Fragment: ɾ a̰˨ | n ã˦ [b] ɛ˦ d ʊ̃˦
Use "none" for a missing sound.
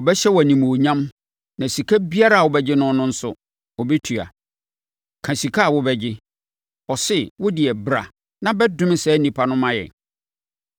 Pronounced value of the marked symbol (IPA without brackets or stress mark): b